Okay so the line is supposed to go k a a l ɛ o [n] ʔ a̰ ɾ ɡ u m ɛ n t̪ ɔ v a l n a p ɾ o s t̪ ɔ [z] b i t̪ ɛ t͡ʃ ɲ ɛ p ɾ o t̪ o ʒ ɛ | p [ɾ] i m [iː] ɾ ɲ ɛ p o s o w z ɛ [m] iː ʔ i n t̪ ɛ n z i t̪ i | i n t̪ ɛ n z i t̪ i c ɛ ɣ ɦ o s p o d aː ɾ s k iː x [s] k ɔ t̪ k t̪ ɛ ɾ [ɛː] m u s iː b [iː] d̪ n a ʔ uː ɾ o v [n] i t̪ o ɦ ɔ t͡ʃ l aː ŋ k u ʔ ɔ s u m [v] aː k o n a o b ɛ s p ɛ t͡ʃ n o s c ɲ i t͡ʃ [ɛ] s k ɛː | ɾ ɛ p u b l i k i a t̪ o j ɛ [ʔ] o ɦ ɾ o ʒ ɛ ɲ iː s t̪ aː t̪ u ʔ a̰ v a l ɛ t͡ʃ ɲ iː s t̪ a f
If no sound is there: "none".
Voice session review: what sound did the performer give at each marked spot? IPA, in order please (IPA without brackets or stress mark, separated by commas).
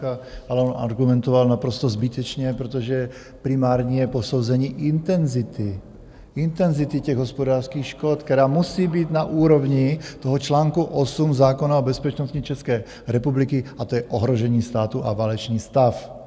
n, z, ɾ, aː, ɲ, ʃ, aː, iː, ɲ, z, ɛ, ʔ